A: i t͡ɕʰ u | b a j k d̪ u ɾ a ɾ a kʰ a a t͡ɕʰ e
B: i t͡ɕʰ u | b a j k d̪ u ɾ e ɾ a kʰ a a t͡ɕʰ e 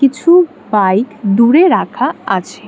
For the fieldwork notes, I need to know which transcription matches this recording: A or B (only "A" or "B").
B